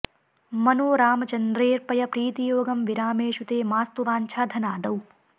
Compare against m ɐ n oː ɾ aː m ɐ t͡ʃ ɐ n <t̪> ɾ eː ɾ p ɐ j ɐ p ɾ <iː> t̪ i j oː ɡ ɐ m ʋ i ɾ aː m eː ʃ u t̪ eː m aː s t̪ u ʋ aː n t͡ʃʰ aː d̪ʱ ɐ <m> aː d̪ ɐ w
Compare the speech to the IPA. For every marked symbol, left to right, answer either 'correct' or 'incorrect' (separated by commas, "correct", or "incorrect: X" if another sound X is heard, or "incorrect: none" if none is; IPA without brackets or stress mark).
incorrect: d̪, correct, incorrect: n